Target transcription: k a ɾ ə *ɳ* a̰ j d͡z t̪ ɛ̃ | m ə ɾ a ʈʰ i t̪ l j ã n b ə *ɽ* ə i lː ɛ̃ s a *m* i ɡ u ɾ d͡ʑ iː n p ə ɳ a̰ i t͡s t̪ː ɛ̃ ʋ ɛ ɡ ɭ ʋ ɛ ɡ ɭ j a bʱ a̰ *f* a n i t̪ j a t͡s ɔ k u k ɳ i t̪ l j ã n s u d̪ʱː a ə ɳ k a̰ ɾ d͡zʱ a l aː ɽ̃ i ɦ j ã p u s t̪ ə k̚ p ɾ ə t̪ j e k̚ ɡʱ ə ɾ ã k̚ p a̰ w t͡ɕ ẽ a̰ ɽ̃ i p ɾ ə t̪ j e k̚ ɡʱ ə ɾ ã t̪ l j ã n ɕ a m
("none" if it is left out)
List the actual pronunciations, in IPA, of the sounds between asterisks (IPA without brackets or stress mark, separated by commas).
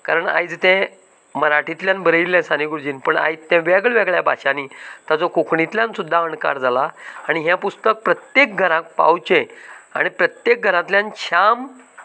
ɳ, ɾ, n, ɕ